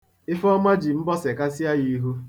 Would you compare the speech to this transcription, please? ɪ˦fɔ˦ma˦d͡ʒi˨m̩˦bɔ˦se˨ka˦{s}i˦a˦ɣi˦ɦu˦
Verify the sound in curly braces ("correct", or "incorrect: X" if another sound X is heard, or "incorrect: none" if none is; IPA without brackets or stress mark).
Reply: correct